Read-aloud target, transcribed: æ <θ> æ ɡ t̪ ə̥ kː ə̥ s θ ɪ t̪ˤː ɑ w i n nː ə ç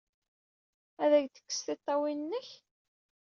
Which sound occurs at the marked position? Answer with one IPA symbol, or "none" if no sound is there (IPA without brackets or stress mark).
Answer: ð